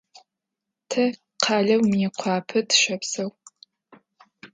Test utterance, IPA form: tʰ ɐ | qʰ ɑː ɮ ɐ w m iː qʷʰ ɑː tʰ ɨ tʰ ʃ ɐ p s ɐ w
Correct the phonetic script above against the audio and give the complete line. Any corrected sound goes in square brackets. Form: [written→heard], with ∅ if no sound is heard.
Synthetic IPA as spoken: tʰ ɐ | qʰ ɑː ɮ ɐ w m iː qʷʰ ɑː [tʰ→pʰ] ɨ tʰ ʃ ɐ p s ɐ w